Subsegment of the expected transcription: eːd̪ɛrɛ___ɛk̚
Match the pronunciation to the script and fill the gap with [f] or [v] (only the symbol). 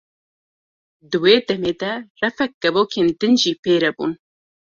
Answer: f